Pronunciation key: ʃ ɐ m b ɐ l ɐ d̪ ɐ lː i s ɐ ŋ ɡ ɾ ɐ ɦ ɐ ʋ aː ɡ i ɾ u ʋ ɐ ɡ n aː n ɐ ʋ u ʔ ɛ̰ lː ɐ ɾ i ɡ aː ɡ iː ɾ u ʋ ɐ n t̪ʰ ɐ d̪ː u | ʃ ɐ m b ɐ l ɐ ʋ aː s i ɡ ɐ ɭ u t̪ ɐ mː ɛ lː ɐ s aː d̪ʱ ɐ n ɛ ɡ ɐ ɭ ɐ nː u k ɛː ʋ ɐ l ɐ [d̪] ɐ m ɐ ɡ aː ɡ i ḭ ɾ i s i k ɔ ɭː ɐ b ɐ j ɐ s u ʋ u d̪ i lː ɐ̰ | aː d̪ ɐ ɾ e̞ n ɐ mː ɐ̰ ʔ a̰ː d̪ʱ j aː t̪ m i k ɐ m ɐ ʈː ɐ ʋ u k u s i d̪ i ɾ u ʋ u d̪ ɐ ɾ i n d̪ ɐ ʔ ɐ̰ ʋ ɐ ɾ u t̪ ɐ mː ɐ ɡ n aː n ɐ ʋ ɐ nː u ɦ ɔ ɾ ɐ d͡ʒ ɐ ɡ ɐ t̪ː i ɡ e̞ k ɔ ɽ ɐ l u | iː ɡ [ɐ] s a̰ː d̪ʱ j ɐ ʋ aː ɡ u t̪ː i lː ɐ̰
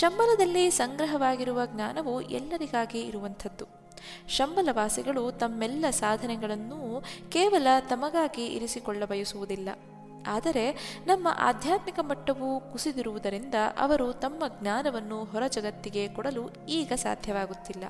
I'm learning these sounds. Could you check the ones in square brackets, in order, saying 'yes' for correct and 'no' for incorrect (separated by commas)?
no, yes